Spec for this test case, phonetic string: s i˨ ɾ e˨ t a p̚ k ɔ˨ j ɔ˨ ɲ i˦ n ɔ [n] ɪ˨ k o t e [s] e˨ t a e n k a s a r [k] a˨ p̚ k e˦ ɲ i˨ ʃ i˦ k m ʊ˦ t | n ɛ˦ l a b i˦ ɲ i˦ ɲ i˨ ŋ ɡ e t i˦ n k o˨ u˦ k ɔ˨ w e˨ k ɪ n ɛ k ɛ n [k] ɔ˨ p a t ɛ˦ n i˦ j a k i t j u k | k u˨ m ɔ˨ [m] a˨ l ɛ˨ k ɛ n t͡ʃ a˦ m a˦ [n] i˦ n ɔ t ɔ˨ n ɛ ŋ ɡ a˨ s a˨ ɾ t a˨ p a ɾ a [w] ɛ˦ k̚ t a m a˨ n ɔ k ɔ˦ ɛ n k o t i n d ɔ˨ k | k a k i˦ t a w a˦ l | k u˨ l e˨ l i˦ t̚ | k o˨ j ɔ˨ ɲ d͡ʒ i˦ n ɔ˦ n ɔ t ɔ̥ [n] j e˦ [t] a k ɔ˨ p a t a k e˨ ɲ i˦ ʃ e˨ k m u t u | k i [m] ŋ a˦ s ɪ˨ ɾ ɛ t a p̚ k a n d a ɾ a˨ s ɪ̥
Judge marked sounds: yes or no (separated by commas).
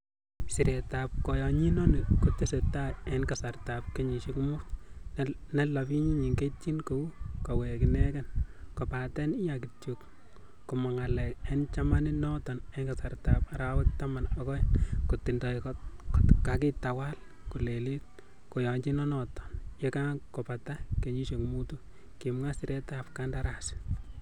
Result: yes, yes, no, yes, no, yes, yes, yes, no, yes